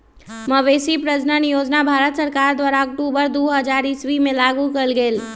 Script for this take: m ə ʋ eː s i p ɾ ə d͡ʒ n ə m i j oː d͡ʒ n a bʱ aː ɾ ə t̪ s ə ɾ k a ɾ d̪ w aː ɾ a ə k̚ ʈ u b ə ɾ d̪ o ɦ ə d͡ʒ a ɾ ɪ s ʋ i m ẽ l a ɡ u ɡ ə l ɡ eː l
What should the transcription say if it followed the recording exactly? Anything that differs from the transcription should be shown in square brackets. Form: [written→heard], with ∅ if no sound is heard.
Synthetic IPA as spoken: m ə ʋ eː s i p ɾ ə d͡ʒ n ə [m→n] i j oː d͡ʒ n a bʱ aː ɾ ə t̪ s ə ɾ k a ɾ d̪ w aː ɾ a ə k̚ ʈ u b ə ɾ d̪ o ɦ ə d͡ʒ a ɾ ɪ s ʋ i m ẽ l a ɡ u [ɡ→k] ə l ɡ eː l